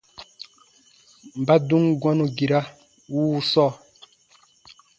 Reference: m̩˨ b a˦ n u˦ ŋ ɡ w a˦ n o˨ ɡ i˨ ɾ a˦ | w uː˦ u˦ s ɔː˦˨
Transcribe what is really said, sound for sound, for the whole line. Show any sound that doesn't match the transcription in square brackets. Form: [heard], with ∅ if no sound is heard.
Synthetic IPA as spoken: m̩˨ b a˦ [d] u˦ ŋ ɡ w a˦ n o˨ ɡ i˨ ɾ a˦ | w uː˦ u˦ s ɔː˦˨